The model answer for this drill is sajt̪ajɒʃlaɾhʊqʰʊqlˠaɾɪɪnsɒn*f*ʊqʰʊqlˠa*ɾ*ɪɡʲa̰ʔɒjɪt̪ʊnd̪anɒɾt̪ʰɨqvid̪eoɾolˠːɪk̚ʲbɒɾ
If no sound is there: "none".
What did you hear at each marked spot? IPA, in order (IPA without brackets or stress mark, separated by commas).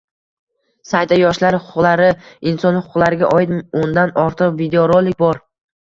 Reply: h, ɾ